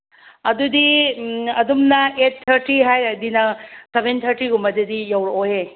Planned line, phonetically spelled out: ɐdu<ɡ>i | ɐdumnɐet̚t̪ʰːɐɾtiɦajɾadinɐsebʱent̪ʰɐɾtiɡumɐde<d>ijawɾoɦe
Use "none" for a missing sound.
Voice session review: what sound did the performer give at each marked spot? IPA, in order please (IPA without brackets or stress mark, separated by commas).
d, d